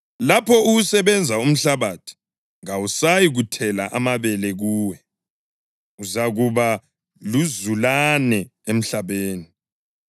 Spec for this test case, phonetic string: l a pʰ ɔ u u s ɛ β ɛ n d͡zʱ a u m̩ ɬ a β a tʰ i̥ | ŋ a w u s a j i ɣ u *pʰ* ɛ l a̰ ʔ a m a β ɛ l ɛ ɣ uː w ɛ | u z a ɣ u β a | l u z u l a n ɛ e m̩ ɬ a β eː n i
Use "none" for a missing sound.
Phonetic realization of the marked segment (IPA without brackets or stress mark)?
tʰ